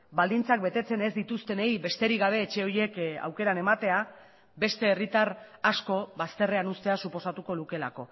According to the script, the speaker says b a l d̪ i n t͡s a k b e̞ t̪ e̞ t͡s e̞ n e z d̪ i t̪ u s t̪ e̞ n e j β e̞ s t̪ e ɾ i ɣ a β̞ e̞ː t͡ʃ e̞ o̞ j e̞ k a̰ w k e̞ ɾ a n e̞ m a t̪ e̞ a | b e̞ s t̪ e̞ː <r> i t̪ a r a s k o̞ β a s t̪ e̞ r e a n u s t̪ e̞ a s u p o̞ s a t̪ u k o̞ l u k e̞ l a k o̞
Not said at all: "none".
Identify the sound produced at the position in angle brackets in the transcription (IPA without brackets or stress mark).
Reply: r